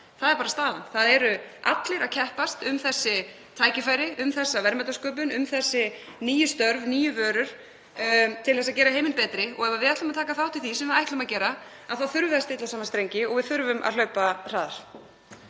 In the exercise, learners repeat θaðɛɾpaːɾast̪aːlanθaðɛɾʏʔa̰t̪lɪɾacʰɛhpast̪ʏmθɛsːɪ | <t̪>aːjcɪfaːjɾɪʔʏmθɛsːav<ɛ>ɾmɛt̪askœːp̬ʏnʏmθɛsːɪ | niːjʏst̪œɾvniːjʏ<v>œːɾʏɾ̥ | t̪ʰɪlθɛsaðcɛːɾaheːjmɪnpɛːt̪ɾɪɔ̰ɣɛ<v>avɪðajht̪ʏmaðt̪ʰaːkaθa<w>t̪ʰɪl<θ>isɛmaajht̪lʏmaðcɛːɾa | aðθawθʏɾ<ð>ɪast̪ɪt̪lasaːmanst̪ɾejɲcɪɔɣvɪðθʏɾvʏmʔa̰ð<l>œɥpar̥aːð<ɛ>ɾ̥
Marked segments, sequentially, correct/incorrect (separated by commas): incorrect, correct, correct, correct, correct, correct, incorrect, correct, incorrect